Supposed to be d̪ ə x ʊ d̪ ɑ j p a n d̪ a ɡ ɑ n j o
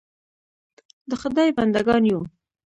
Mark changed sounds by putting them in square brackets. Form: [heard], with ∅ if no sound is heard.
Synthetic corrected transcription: d̪ ə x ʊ d̪ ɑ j [b] a n d̪ a ɡ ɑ n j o